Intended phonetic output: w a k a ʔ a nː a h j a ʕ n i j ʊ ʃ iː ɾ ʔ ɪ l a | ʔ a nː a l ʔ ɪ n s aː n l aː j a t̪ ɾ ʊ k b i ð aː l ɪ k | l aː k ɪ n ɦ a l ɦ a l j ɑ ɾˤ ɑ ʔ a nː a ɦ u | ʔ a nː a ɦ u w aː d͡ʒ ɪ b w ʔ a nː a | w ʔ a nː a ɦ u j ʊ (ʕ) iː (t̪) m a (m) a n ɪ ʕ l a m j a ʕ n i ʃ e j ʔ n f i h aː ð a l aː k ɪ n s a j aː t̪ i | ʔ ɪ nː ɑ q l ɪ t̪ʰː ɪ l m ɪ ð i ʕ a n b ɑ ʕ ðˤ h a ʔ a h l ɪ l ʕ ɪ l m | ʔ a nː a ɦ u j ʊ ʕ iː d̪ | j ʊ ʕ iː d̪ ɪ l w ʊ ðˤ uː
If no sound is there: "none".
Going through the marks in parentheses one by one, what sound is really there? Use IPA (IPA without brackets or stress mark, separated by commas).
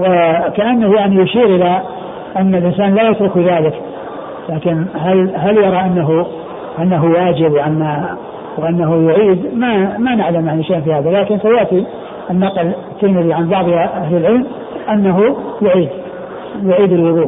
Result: ʕ, d̪, m